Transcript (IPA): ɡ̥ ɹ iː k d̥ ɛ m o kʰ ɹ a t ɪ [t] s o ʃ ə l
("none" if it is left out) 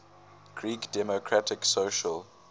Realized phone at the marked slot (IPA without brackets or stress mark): k